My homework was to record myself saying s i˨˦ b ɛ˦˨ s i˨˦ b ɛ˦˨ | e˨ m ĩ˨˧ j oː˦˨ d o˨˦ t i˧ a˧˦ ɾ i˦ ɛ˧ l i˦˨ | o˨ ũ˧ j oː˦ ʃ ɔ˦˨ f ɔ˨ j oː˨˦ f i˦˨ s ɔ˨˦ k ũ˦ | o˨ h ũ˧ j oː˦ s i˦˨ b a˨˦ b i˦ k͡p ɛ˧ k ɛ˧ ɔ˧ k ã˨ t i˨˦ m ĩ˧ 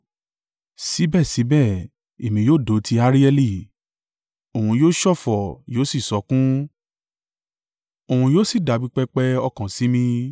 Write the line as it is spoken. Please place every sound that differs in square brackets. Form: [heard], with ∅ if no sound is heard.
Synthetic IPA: s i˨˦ b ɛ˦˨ s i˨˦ b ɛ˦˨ | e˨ m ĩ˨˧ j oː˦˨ d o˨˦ t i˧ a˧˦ ɾ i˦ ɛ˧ l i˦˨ | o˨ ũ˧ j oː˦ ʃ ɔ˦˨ f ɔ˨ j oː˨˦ [s] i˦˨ s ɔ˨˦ k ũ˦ | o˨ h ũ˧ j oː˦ s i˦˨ [d] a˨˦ b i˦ k͡p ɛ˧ [k͡p] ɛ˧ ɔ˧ k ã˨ [s] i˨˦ m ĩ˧